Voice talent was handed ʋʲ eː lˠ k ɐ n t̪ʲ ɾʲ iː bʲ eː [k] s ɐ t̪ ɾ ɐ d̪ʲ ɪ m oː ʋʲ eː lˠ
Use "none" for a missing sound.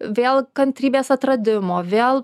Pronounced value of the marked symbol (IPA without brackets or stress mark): none